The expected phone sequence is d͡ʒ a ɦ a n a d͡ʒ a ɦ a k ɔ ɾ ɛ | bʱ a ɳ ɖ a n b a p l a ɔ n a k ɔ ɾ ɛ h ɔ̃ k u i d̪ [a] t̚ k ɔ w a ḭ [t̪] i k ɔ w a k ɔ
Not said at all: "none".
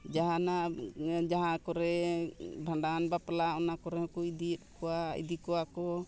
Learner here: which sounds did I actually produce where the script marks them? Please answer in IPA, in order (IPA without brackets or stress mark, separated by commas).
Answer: i, d̪